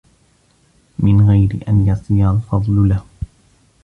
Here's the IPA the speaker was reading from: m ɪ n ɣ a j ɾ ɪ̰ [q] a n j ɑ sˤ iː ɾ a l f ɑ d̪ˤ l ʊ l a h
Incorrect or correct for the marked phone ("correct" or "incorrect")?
incorrect